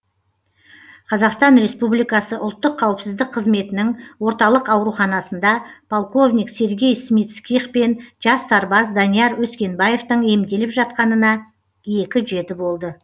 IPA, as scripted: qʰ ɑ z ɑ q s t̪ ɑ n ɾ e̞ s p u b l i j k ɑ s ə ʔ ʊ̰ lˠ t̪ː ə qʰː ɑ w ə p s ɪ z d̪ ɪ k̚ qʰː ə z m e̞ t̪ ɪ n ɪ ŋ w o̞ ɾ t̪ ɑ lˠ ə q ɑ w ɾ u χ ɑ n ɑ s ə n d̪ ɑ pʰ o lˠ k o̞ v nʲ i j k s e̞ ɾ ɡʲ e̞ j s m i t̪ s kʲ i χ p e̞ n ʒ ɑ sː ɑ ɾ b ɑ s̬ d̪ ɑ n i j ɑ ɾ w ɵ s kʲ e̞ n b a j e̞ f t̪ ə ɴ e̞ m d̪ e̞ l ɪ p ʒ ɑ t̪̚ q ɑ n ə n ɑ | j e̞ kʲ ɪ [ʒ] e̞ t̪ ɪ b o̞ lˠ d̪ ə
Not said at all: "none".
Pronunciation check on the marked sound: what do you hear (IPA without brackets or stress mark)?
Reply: ʒ